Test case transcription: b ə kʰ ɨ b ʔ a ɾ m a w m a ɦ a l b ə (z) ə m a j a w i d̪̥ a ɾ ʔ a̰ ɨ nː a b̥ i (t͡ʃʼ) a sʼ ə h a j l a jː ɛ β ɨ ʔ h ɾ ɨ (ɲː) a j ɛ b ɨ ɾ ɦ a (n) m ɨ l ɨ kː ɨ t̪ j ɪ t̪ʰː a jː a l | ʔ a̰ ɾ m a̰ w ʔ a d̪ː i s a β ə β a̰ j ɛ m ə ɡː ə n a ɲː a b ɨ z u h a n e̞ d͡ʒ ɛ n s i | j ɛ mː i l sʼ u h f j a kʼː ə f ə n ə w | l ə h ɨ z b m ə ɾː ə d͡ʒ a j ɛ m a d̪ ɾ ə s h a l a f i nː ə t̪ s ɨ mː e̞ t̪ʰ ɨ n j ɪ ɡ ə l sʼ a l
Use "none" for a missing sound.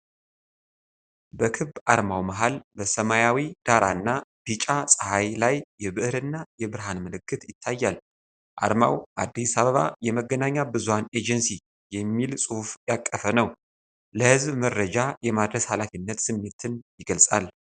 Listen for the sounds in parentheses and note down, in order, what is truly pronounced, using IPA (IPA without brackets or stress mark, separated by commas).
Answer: s, t͡ʃʼ, nː, n